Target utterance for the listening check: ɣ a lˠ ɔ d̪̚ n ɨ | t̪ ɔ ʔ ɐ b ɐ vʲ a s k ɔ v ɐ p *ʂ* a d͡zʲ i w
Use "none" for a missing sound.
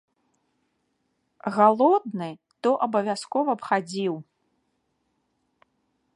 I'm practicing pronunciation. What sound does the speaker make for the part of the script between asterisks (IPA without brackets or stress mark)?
x